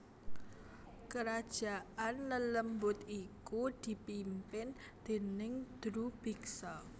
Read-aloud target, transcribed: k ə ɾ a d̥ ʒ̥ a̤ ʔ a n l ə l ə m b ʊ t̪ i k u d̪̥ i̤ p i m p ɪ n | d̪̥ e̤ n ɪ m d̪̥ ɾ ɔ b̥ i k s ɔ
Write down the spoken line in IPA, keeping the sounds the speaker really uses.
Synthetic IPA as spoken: k ə ɾ a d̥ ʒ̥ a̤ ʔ a n l ə l ə m b ʊ t̪ i k u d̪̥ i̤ p i m p ɪ n | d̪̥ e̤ n ɪ ŋ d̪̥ ɾ u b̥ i k s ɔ